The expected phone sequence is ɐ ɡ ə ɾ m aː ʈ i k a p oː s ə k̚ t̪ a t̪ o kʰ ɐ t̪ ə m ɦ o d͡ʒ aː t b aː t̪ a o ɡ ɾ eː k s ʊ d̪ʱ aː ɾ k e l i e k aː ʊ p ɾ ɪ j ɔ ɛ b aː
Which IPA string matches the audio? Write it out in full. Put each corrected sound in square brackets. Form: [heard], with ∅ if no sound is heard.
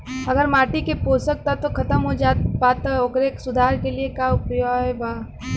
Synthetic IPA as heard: ɐ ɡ ə ɾ m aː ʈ i k [e] p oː s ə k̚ t̪ a t̪ o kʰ ɐ t̪ ə m ɦ o d͡ʒ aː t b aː t̪ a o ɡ ɾ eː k s ʊ d̪ʱ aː ɾ k e l i e k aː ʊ p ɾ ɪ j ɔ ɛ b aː